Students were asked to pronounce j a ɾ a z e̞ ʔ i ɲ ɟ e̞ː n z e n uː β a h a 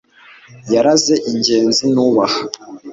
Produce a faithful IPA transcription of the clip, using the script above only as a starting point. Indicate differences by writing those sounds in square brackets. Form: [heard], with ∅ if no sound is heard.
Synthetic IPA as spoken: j a ɾ a z e̞ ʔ i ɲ ɟ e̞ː n z [i] n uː β a h a